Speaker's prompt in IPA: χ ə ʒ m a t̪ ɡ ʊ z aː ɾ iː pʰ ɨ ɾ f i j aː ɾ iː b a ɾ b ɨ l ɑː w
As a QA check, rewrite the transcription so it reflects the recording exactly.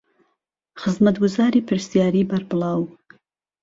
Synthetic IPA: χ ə z m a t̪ ɡ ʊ z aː ɾ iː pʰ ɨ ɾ s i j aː ɾ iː b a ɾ b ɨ l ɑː w